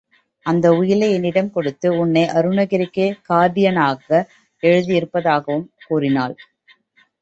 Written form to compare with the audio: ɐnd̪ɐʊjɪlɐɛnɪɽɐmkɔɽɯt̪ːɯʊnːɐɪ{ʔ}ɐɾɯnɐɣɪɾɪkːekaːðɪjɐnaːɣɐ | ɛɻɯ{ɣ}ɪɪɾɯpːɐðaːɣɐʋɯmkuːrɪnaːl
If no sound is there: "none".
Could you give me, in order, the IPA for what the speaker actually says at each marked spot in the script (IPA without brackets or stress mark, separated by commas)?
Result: ʔ, ð